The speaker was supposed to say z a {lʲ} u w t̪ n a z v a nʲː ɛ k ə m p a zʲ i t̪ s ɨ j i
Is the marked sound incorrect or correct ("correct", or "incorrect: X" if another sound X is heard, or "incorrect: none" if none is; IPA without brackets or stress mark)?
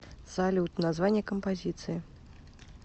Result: correct